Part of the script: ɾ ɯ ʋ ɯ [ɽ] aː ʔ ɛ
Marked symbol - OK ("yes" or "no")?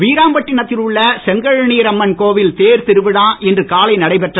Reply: yes